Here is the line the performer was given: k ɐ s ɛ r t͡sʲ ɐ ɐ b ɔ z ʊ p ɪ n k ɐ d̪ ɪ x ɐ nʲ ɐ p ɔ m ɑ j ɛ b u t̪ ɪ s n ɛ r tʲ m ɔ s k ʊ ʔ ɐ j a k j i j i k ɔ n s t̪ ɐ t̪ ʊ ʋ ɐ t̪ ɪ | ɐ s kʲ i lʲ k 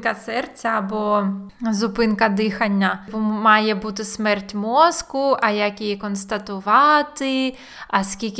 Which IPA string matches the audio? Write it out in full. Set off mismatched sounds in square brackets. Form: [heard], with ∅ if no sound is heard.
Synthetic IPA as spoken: k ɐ s ɛ r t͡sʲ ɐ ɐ b ɔ z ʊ p ɪ n k ɐ d̪ ɪ x ɐ [nʲː] ɐ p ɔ m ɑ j ɛ b u t̪ ɪ s [m] ɛ r tʲ m ɔ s k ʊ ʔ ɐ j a k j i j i k ɔ n s t̪ ɐ t̪ ʊ ʋ [ɑ] t̪ ɪ | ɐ s kʲ i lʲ k